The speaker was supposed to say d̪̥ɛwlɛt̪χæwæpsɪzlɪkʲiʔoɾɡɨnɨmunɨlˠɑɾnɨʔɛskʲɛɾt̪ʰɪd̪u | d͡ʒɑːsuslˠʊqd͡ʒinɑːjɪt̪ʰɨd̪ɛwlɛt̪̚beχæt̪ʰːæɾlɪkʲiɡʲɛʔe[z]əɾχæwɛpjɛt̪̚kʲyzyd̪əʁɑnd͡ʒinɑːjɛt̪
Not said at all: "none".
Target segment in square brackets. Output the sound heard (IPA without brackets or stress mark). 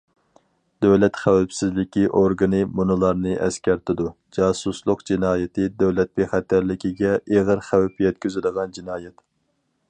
ʁ